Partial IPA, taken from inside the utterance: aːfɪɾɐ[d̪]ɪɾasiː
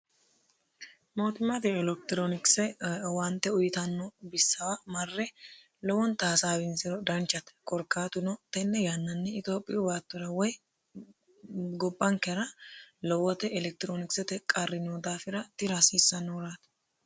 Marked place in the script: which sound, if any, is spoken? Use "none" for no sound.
t̪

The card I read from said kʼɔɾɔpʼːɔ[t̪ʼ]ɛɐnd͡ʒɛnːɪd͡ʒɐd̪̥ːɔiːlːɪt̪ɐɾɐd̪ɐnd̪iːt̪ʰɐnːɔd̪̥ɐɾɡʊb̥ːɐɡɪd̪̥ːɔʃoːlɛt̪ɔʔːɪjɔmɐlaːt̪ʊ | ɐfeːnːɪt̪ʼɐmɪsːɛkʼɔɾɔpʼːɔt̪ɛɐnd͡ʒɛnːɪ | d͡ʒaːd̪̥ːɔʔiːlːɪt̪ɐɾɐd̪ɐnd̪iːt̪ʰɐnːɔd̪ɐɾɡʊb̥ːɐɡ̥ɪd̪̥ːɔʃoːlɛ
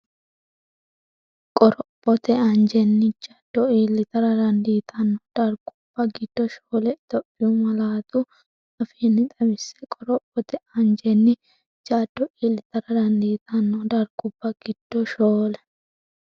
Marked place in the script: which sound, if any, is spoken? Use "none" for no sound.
t̪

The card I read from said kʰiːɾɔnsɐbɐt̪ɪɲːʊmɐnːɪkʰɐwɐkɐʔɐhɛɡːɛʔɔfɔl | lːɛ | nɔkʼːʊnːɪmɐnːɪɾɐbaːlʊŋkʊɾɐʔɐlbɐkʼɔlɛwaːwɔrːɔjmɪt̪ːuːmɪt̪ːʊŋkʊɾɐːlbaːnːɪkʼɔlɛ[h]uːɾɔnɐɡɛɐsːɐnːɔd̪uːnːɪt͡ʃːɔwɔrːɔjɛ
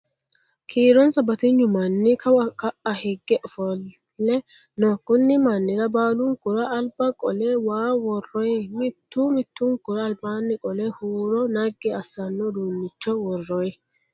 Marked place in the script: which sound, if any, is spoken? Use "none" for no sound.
h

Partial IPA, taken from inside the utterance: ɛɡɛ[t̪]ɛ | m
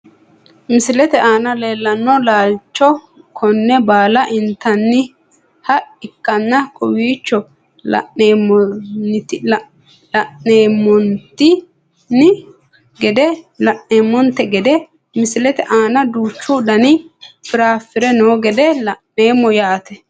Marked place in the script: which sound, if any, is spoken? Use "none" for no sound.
d̪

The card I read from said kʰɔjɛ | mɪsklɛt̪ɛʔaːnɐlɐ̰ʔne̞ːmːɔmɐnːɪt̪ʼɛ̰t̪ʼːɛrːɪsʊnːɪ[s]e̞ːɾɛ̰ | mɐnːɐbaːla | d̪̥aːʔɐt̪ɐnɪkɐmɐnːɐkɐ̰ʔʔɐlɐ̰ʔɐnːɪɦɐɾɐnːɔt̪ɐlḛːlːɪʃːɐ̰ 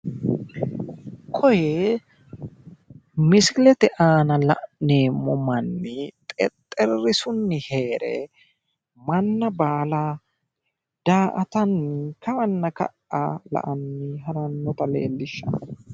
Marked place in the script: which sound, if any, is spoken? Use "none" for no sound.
h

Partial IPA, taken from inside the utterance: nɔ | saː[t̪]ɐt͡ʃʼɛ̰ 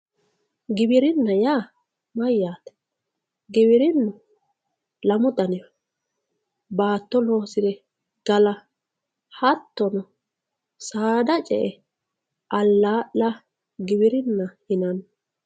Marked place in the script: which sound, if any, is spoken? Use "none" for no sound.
d̪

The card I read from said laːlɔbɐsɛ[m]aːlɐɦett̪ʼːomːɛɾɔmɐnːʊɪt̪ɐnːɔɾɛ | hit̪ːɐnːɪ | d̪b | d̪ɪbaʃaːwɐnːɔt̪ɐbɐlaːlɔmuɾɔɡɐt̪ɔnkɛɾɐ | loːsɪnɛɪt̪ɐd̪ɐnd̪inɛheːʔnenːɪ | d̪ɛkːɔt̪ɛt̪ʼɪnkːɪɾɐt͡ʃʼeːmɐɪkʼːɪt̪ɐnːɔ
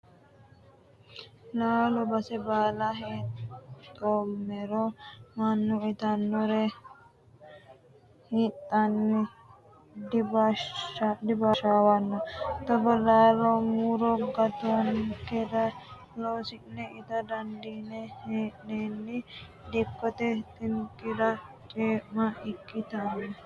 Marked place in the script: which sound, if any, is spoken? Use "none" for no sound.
b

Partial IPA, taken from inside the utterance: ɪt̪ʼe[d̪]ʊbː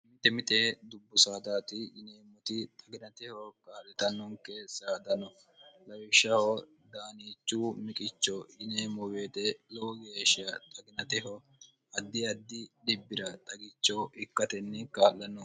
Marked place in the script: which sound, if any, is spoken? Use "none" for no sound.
d̪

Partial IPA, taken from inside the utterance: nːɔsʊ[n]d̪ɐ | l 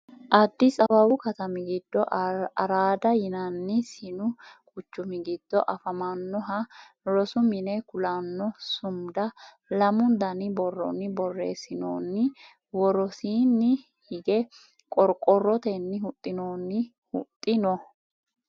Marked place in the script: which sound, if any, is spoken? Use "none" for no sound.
m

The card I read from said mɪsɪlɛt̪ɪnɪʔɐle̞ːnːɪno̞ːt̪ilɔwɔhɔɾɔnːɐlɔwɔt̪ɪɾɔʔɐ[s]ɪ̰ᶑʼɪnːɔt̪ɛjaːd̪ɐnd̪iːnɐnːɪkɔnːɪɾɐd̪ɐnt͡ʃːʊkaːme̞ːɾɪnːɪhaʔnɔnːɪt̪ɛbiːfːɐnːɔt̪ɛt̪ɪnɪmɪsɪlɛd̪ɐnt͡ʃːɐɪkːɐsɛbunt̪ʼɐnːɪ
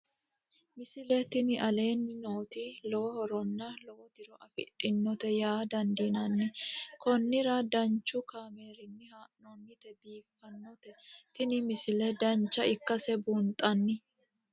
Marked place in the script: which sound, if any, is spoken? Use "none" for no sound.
f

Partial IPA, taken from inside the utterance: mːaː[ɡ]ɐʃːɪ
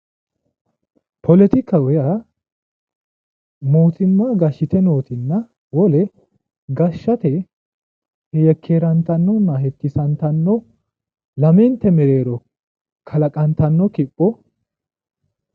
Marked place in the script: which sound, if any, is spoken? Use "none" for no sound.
ɡ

